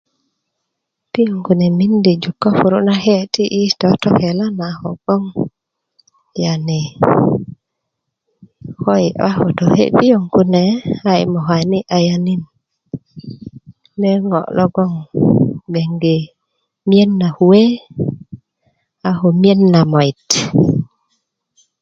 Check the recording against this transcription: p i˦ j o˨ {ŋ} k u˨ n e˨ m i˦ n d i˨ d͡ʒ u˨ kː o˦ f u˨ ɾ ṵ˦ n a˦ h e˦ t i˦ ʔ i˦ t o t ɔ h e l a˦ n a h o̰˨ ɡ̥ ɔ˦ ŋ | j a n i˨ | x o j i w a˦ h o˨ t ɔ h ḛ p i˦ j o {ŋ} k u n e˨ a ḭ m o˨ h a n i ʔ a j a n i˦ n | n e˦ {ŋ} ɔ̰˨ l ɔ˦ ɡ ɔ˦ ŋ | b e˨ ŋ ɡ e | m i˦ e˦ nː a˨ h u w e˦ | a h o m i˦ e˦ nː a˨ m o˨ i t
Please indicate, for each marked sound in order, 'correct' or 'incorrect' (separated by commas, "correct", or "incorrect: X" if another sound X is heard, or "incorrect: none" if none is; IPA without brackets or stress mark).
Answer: correct, correct, correct